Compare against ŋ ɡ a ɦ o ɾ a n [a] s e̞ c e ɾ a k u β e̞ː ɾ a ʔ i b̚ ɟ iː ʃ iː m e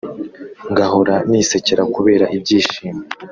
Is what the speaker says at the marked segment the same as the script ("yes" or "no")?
no